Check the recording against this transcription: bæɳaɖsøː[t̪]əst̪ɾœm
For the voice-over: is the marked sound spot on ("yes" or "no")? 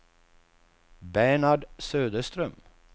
no